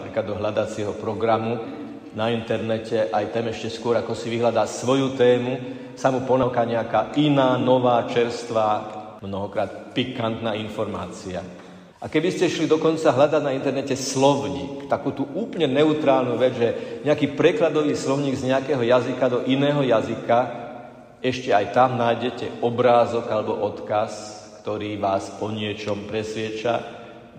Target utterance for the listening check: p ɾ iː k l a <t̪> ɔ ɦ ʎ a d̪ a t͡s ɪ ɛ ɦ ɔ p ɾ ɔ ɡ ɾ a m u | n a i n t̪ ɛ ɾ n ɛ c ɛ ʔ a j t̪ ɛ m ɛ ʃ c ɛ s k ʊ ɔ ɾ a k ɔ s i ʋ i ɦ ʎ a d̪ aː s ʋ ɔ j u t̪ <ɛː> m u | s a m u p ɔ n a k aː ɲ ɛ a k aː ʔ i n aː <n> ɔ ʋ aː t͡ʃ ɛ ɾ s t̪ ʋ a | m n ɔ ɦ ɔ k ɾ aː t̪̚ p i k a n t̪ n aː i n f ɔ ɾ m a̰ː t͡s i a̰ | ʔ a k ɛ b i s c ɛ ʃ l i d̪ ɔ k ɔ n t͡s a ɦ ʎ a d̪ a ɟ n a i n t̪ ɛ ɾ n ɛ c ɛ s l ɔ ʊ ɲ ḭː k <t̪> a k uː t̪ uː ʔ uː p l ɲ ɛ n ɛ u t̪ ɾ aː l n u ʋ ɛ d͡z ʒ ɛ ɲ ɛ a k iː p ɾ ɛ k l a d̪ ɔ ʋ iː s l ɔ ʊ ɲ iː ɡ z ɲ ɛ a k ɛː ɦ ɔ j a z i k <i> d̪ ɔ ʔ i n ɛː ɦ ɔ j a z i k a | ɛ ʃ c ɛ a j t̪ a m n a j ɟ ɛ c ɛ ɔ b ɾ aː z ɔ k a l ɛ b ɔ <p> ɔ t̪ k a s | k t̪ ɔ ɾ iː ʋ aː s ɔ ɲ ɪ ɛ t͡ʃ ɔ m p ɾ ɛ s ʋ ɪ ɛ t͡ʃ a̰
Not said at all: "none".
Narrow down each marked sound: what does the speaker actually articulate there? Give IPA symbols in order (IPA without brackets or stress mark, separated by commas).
d̪, ɛː, n, t̪, a, ʔ